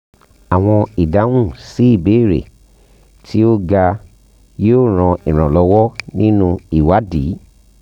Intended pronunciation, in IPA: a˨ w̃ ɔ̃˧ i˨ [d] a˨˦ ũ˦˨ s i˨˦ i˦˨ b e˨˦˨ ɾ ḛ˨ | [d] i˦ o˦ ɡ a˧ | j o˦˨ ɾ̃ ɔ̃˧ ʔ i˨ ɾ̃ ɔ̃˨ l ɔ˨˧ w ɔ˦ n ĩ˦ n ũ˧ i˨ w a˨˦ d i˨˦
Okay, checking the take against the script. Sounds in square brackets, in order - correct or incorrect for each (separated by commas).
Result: correct, incorrect